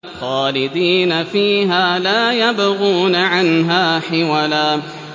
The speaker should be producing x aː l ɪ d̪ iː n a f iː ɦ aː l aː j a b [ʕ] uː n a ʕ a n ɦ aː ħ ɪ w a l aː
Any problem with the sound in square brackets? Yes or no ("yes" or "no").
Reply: yes